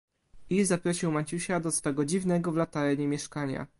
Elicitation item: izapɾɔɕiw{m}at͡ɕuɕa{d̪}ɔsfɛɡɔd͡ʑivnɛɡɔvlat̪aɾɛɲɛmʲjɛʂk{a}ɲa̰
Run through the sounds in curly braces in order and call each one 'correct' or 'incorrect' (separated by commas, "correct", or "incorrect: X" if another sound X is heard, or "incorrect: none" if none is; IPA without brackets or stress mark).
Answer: correct, correct, correct